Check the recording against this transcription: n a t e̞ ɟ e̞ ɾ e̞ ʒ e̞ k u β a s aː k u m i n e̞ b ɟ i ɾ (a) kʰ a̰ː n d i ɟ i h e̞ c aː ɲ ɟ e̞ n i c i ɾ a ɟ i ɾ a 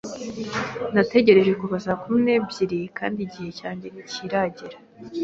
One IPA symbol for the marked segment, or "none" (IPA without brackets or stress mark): i